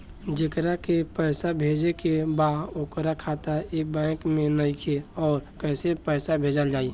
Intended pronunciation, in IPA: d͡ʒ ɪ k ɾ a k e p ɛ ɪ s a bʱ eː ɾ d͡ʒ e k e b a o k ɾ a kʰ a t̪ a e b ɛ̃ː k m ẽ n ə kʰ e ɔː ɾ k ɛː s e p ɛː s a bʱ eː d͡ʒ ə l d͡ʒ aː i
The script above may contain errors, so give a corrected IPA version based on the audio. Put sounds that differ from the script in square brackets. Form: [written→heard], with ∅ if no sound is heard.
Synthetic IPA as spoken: d͡ʒ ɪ k ɾ a k e p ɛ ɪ s a bʱ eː [ɾ→∅] d͡ʒ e k e b a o k ɾ a kʰ a t̪ a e b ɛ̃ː k m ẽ n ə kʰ e ɔː ɾ k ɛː s e p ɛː s a bʱ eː d͡ʒ ə l d͡ʒ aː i